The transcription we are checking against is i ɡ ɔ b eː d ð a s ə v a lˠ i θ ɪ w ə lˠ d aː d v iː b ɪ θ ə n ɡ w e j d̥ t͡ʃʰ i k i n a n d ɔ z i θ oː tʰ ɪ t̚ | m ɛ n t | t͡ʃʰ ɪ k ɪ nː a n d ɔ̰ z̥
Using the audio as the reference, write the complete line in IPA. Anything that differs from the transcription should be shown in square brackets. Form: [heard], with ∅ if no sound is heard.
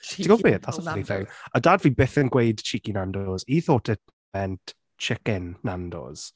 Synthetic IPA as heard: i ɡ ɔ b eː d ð a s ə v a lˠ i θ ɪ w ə [∅] d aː d v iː b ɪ θ ə n ɡ w e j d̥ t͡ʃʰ i k i n a n d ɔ z i θ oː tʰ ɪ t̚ | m ɛ n t | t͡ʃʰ ɪ k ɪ nː a n d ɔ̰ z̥